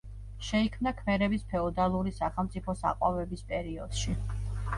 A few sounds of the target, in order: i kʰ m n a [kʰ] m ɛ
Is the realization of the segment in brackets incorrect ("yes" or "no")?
no